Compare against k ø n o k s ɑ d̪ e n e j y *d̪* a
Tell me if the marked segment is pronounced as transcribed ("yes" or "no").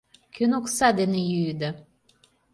yes